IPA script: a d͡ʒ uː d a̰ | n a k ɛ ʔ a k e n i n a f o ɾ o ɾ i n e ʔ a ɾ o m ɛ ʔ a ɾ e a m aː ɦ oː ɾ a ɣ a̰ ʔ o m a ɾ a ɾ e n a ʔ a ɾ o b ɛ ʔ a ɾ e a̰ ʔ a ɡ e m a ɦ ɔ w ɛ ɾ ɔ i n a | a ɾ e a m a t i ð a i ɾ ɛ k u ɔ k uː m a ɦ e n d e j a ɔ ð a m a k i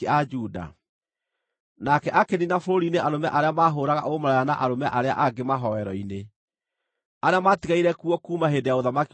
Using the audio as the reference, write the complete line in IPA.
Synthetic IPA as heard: a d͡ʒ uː d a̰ | n a k ɛ ʔ a k e n i n a f o ɾ o ɾ i n e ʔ a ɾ o m ɛ ʔ a ɾ e a m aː ɦ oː ɾ a ɣ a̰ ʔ o m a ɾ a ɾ a n a ʔ a ɾ o m ɛ ʔ a ɾ e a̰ ʔ a ɡ e m a ɦ ɔ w ɛ ɾ ɔ i n e | a ɾ e a m a t i ɣ a i ɾ ɛ k u ɔ k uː m a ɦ e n d e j a o ð a m a k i